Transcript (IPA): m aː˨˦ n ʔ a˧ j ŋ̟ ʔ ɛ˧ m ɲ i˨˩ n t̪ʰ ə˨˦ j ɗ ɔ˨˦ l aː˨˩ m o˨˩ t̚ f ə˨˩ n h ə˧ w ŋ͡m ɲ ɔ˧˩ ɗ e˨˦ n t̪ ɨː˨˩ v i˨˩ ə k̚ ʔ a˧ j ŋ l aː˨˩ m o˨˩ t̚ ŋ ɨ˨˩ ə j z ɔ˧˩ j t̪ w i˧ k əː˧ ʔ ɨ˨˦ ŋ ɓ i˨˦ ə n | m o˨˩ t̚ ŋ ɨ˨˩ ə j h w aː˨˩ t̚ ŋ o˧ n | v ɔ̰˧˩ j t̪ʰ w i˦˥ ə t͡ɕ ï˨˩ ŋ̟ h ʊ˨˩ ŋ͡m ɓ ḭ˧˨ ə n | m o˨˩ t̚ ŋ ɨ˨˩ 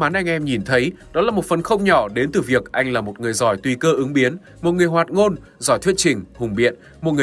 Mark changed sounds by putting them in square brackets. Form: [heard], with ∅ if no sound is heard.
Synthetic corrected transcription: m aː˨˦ n ʔ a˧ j ŋ̟ ʔ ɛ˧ m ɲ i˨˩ n t̪ʰ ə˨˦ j ɗ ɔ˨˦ l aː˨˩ m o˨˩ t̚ f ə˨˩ n [x] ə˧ w ŋ͡m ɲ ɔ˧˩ ɗ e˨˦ n t̪ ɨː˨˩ v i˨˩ ə k̚ ʔ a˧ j ŋ l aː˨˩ m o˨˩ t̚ ŋ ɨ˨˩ ə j z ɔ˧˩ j t̪ w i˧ k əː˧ ʔ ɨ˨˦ ŋ ɓ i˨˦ ə n | m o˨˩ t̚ ŋ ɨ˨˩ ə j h w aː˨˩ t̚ ŋ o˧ n | [z] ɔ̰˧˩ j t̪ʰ w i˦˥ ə t͡ɕ ï˨˩ ŋ̟ h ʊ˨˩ ŋ͡m ɓ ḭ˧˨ ə n | m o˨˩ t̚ ŋ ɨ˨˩